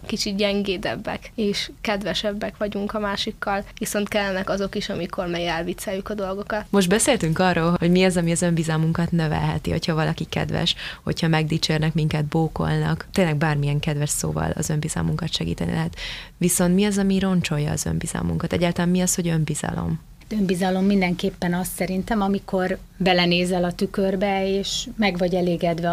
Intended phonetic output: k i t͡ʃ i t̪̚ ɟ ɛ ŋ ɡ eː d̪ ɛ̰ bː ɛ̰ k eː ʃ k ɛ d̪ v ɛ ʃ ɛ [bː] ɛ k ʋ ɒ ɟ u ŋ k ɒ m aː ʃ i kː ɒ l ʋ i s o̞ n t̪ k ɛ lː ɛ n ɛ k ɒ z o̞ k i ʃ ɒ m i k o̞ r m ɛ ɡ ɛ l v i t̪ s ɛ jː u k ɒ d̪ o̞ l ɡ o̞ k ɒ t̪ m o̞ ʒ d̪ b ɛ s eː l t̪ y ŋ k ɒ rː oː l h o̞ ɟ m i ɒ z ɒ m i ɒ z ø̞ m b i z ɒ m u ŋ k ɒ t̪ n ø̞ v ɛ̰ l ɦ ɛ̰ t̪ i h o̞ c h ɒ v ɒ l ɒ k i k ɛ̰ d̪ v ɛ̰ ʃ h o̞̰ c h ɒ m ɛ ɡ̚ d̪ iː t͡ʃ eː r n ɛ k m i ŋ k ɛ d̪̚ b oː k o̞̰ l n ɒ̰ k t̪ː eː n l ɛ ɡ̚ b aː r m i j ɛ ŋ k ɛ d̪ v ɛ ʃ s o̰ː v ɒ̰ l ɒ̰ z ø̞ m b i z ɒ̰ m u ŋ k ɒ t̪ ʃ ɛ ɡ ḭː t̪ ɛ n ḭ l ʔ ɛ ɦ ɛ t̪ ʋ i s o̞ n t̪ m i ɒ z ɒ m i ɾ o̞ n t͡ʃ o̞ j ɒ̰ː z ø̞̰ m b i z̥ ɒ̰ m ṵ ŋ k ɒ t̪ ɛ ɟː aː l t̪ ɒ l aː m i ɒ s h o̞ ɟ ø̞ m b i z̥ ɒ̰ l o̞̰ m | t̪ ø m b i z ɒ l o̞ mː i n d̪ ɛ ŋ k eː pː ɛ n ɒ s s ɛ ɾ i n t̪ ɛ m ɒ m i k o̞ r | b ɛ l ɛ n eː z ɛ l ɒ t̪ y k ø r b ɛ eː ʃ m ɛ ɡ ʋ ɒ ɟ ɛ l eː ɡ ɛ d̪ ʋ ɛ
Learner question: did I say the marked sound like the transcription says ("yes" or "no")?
yes